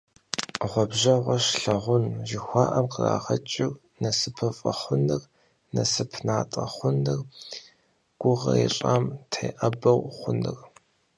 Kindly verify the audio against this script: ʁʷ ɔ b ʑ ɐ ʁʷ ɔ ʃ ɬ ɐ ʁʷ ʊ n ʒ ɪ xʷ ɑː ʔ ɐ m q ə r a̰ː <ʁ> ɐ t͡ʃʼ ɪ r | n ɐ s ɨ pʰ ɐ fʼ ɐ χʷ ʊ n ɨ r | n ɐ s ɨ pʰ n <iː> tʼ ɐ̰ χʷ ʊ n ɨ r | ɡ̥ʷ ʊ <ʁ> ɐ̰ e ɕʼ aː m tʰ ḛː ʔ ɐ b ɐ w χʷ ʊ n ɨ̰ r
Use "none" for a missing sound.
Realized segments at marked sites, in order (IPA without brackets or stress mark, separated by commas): ʁ, aː, ʁ